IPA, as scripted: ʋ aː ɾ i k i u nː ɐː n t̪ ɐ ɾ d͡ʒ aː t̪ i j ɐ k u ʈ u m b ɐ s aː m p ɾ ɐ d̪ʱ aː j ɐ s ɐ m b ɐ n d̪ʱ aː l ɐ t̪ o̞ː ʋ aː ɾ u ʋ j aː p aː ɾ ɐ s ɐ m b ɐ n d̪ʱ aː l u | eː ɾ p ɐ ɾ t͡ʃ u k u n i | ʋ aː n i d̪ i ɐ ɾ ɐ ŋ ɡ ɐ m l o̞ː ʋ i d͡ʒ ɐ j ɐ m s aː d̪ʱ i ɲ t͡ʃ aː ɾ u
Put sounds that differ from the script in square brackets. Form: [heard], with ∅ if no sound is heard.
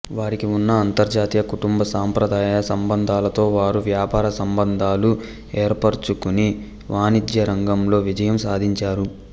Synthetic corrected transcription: ʋ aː ɾ i k i u nː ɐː n t̪ ɐ ɾ d͡ʒ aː t̪ i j ɐ k u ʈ u m b ɐ s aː m p ɾ ɐ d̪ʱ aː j ɐ s ɐ m b ɐ n d̪ʱ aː l ɐ t̪ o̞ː ʋ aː ɾ u ʋ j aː p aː ɾ ɐ s ɐ m b ɐ n d̪ʱ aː l u | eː ɾ p ɐ ɾ t͡ʃ u k u n i | ʋ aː n i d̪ [j] ɐ ɾ ɐ ŋ ɡ ɐ m l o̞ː ʋ i d͡ʒ ɐ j ɐ m s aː d̪ʱ i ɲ t͡ʃ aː ɾ u